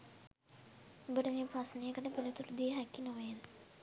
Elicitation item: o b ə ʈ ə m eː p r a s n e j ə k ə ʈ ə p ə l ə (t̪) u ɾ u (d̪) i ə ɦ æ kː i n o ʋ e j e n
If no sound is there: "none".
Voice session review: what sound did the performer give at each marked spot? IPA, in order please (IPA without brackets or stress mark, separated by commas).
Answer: t̪, d̪